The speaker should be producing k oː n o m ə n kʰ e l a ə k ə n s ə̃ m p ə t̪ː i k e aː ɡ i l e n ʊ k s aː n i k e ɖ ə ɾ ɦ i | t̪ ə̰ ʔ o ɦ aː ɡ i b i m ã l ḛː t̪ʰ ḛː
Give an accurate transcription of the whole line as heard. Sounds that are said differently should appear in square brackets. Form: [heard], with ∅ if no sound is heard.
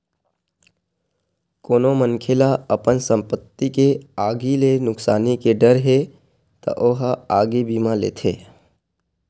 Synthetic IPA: k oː n o m ə n kʰ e l a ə [p] ə n s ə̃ m p ə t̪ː i k e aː ɡ i l e n ʊ k s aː n i k e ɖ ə ɾ ɦ [e] | t̪ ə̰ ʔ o ɦ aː ɡ i b i m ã l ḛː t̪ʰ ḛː